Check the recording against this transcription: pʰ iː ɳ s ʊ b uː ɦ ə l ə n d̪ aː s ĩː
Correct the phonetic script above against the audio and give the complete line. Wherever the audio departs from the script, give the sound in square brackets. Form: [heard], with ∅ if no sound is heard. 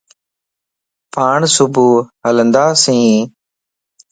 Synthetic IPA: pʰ [aː] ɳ s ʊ b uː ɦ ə l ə n d̪ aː s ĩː

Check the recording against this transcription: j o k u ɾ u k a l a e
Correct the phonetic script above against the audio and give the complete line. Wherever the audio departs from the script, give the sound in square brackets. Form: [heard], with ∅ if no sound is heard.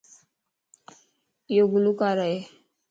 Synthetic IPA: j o [ɡ] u [l] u k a [ɾ] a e

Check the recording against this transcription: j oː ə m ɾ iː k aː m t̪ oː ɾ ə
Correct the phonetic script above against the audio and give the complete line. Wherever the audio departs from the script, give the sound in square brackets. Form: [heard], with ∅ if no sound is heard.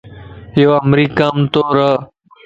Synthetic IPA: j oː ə m ɾ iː k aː m t̪ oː ɾ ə

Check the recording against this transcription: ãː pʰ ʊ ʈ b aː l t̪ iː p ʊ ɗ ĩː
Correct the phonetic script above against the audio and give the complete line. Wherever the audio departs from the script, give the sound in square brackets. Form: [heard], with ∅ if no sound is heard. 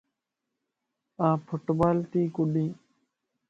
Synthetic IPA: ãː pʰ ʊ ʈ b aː l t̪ iː [k] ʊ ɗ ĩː

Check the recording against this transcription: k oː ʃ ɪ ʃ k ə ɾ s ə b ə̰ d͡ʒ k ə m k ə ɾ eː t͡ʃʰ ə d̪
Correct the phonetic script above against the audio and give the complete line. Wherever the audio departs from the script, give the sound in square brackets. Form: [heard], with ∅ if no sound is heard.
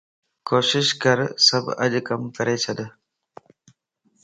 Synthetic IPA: k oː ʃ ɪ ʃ k ə ɾ s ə b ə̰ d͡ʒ k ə m k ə ɾ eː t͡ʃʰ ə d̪

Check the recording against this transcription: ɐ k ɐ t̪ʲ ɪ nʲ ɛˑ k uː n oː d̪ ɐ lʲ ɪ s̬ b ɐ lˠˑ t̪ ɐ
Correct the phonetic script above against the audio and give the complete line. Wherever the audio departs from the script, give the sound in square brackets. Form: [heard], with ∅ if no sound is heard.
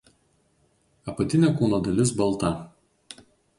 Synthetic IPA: ɐ [p] ɐ t̪ʲ ɪ nʲ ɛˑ k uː n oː d̪ ɐ lʲ ɪ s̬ b ɐ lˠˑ t̪ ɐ

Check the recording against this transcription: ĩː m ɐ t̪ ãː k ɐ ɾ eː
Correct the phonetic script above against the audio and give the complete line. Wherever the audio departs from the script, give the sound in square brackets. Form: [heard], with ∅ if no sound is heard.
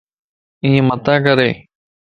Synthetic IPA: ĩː m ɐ t̪ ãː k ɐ ɾ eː

